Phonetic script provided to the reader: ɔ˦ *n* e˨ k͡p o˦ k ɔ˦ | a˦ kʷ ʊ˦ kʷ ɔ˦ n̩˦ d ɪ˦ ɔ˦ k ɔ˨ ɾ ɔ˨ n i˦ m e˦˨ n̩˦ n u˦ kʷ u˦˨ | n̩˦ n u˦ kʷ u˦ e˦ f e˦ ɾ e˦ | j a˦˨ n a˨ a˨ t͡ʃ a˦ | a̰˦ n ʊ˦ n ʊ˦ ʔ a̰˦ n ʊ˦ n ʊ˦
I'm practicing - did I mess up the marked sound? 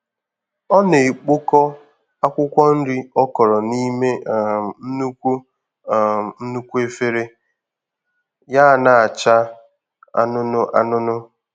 no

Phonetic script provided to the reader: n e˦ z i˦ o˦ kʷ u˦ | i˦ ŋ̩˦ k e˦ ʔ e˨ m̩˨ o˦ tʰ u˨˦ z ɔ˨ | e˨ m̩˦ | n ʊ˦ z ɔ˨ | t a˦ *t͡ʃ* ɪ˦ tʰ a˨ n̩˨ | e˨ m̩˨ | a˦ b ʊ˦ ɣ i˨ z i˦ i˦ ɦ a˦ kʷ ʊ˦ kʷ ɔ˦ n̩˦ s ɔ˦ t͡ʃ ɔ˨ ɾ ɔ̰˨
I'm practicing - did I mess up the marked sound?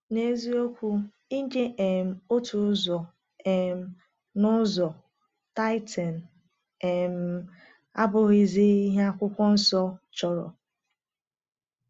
yes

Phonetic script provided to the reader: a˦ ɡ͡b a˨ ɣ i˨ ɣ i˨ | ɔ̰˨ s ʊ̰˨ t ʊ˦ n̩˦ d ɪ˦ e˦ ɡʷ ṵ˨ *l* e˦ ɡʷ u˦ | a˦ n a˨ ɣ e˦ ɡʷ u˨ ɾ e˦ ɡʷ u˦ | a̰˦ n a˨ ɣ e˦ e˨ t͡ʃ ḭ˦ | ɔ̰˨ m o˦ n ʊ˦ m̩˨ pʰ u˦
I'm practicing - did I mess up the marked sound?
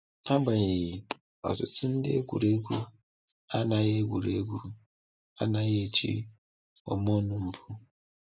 yes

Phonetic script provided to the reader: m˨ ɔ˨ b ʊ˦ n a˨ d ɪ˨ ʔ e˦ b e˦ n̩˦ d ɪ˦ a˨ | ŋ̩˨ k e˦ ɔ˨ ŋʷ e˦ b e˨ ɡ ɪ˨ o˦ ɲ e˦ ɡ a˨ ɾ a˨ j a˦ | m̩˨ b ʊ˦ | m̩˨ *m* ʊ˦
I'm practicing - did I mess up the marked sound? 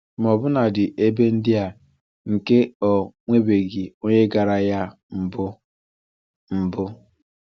yes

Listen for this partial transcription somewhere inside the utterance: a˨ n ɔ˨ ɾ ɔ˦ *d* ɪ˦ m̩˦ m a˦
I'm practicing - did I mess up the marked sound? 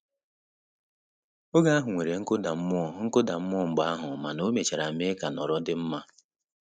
no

